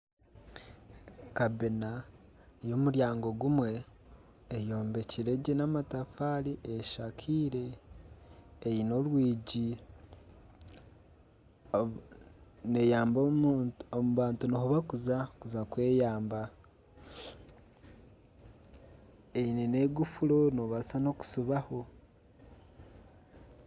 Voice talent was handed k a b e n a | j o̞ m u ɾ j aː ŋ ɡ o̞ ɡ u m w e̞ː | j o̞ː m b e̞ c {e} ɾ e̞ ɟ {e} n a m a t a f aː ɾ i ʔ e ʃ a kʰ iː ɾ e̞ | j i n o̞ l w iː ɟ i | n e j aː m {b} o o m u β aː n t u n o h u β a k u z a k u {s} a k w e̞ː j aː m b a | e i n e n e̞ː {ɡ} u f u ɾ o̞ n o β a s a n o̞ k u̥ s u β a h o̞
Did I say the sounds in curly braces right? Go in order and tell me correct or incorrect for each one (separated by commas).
incorrect, correct, correct, incorrect, correct